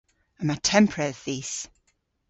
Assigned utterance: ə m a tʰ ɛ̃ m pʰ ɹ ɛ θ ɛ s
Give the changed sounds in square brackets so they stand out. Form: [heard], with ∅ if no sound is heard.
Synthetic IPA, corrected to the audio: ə m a tʰ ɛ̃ m pʰ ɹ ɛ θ [i] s